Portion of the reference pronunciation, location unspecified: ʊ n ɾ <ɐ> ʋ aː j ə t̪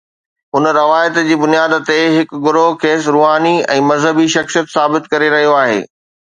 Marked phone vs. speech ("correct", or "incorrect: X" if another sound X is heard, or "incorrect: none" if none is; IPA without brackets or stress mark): correct